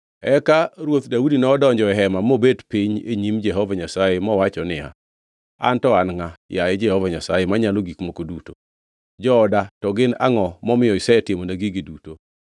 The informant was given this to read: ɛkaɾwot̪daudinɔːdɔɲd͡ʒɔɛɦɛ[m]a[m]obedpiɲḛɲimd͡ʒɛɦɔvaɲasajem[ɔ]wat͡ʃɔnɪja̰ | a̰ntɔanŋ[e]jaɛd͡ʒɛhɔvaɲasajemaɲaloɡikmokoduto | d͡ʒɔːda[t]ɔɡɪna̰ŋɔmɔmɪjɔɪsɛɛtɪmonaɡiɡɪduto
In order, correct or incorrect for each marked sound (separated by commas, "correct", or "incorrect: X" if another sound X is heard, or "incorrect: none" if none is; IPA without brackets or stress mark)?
correct, correct, correct, incorrect: a, correct